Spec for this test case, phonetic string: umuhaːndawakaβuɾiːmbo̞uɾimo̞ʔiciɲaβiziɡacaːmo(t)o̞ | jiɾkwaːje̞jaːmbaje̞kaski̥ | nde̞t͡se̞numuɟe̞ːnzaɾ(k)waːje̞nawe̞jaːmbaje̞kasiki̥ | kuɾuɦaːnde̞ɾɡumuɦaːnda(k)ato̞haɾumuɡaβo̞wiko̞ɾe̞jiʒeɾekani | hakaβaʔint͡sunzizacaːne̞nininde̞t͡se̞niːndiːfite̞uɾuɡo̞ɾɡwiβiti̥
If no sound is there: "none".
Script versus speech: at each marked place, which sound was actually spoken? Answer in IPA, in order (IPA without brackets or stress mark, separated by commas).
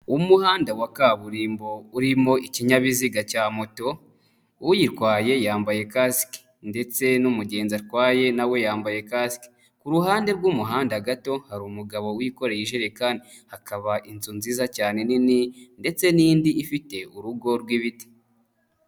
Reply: t, k, ɡ